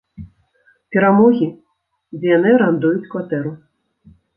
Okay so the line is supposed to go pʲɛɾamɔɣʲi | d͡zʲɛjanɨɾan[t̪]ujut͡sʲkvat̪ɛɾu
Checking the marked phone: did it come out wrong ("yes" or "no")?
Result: yes